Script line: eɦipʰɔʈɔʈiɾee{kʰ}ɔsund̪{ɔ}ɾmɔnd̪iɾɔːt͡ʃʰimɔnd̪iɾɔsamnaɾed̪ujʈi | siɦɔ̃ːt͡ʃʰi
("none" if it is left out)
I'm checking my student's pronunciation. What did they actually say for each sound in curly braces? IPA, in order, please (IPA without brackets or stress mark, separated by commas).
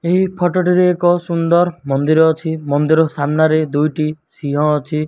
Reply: k, ɔ